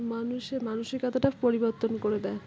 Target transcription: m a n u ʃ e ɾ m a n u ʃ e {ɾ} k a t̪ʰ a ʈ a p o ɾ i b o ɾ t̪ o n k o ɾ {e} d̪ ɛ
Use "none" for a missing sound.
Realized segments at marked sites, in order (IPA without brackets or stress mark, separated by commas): ɾ, e